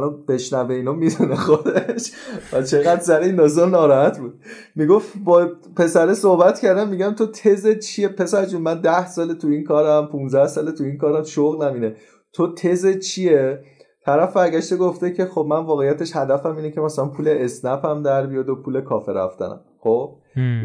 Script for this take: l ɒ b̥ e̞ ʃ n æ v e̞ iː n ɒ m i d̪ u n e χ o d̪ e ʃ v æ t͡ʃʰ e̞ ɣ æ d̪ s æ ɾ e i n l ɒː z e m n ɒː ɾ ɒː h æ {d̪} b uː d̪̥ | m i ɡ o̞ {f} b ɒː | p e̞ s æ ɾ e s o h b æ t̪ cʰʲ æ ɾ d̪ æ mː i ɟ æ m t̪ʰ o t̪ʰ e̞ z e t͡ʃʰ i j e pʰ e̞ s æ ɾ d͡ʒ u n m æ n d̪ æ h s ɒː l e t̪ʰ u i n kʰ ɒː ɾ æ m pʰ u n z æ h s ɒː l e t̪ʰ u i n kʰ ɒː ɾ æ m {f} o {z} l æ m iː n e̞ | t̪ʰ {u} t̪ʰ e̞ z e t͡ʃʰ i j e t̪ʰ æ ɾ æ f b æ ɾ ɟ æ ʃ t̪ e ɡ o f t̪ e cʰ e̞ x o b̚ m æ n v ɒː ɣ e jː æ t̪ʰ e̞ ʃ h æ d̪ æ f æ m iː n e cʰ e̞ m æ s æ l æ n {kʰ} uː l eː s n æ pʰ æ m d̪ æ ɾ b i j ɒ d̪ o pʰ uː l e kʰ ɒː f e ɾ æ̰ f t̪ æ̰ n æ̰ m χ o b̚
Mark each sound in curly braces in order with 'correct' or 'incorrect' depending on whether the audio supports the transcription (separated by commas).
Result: incorrect, correct, incorrect, incorrect, incorrect, incorrect